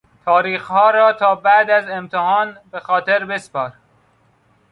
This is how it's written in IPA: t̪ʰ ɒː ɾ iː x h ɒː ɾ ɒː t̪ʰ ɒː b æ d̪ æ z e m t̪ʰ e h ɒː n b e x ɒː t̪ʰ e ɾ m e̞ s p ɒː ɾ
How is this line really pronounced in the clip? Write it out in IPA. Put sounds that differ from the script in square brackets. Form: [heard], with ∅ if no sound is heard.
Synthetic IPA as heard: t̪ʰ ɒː ɾ iː x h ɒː ɾ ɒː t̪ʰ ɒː b æ d̪ æ z e m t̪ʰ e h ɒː n b e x ɒː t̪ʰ e ɾ [b] e̞ s p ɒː ɾ